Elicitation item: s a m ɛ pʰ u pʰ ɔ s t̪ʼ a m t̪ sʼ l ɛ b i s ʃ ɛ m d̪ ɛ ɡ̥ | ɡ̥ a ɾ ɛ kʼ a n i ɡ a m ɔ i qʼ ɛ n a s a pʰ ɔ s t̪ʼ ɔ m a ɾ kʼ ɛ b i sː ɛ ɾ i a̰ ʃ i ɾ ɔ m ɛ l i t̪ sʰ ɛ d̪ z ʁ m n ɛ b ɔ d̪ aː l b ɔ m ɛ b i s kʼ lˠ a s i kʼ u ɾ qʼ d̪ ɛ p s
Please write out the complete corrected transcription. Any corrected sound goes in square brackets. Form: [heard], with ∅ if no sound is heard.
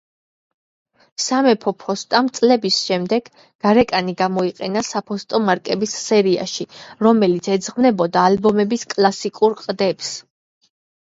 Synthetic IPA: s a m ɛ pʰ [ɔ] pʰ ɔ s t̪ʼ a m t̪ sʼ l ɛ b i s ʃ ɛ m d̪ ɛ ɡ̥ | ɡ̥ a ɾ ɛ kʼ a n i ɡ a m ɔ i qʼ ɛ n a s a pʰ ɔ s t̪ʼ ɔ m a ɾ kʼ ɛ b i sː ɛ ɾ i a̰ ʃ i ɾ ɔ m ɛ l i t̪ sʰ ɛ d̪ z ʁ m n ɛ b ɔ d̪ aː l b ɔ m ɛ b i s kʼ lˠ a s i kʼ u ɾ qʼ d̪ ɛ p s

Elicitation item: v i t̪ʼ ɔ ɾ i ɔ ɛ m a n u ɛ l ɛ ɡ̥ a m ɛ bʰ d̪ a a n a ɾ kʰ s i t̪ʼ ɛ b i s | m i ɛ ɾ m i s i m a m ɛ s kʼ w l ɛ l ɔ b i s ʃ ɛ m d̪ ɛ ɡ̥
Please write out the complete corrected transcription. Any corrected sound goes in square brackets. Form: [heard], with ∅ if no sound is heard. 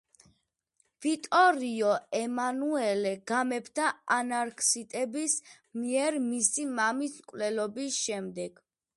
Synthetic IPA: v i t̪ʼ ɔ ɾ i ɔ ɛ m a n u ɛ l ɛ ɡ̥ a m ɛ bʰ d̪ a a n a ɾ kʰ s i t̪ʼ ɛ b i s | m i ɛ ɾ m i s i m a m [i] s kʼ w l ɛ l ɔ b i s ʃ ɛ m d̪ ɛ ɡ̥

